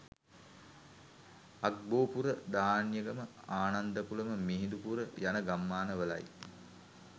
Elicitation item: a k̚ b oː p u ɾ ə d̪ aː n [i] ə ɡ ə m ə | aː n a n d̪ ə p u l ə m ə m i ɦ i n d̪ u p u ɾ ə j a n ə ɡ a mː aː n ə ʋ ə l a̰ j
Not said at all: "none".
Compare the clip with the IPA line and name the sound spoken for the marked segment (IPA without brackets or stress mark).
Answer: j